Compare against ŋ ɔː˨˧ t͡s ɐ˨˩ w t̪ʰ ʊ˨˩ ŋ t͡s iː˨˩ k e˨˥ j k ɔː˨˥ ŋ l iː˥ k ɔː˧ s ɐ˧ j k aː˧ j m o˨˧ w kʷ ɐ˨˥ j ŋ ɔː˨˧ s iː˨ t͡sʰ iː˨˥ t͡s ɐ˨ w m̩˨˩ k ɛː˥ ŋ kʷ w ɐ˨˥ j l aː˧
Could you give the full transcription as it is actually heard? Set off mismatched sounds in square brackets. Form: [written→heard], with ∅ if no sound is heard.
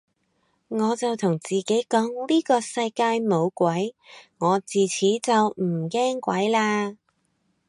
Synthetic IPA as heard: ŋ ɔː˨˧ t͡s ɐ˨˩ w t̪ʰ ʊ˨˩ ŋ t͡s iː˨˩ k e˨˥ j k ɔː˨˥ ŋ l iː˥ k ɔː˧ s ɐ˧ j k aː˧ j m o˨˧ w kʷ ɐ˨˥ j ŋ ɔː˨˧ [s→t͡s] iː˨ t͡sʰ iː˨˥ t͡s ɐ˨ w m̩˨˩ k ɛː˥ ŋ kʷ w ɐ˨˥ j l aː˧